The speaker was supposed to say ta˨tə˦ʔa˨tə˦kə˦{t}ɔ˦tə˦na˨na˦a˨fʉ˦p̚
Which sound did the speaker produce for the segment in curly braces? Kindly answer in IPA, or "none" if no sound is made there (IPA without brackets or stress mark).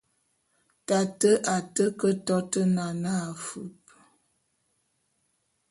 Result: t